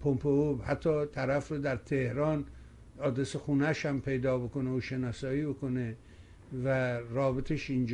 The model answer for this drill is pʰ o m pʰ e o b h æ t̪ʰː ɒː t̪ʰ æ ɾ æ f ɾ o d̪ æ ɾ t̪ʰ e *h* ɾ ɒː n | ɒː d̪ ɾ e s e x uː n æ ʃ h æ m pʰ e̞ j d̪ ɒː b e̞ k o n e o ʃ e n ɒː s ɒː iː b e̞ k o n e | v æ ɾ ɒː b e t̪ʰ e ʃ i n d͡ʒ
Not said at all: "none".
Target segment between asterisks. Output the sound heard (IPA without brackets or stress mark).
h